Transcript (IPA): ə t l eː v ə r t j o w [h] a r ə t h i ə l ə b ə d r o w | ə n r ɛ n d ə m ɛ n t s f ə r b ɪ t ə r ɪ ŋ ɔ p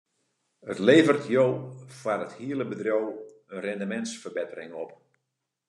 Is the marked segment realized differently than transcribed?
yes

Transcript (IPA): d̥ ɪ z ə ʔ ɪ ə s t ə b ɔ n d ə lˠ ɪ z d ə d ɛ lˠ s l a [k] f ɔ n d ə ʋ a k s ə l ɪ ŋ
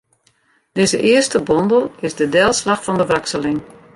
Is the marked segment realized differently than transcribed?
yes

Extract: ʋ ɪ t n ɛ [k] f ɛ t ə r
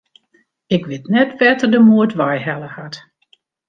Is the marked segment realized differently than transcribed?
yes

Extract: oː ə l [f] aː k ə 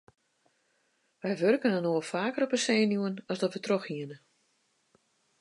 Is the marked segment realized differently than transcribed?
no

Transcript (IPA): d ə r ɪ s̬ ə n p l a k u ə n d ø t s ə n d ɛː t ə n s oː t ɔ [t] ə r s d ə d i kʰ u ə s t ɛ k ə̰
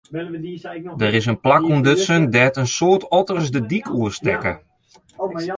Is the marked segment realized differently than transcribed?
no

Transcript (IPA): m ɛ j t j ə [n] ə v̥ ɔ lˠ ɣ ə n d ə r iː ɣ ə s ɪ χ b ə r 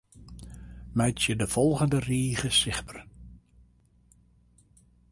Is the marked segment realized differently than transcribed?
yes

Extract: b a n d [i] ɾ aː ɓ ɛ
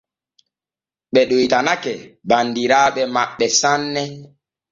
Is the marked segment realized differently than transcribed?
no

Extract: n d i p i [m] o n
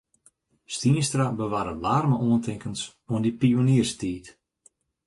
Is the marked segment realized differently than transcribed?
yes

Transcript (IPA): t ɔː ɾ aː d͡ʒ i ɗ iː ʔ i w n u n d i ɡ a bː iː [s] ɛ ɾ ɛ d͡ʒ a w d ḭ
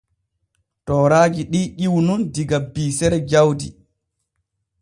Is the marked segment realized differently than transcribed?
no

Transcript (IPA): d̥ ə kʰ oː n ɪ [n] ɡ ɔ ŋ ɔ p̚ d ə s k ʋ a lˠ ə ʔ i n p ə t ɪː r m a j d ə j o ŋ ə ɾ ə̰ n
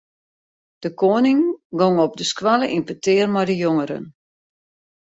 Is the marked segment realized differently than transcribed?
yes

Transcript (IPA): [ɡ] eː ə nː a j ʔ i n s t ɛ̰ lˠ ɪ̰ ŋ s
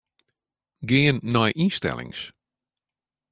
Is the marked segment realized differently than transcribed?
no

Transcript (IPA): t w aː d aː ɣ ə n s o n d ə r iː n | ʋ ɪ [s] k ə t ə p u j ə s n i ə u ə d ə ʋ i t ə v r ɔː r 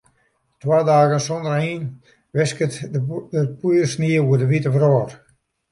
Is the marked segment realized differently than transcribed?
no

